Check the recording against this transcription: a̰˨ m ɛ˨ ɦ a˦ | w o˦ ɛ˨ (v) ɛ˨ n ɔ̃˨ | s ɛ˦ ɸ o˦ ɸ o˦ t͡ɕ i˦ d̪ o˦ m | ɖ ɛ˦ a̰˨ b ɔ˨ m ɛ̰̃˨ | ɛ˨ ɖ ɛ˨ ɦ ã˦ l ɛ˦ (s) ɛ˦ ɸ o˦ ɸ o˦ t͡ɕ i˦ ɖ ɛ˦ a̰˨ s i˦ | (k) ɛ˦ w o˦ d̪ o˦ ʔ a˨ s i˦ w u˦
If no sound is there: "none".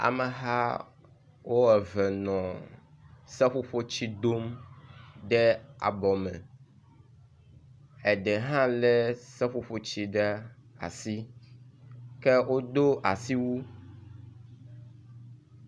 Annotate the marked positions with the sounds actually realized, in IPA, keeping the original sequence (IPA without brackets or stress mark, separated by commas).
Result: v, s, k